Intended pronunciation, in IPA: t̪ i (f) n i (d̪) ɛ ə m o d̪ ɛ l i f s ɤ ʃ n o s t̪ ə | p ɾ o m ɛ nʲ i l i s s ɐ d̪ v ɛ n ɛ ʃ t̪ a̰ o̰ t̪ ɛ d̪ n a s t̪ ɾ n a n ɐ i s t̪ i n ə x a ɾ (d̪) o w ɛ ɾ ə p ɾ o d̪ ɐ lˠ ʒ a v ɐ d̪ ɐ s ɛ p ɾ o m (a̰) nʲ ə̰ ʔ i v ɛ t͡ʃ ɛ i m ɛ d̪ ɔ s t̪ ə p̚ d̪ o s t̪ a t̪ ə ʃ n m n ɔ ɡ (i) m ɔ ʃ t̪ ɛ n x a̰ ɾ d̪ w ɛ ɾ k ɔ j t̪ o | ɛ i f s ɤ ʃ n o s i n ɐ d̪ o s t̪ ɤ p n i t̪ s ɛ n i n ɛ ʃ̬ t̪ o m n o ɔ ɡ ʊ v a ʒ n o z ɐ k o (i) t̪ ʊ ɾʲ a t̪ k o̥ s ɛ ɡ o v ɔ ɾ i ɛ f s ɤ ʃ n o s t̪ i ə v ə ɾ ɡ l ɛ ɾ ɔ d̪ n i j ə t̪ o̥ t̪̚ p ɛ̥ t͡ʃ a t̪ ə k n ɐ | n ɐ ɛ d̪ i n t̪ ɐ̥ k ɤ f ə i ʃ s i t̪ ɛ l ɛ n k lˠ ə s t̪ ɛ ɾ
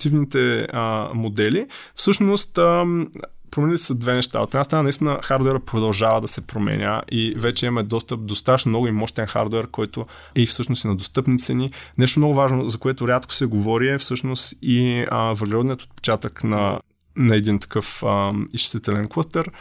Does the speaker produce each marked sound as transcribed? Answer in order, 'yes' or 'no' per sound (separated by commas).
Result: no, no, yes, no, yes, no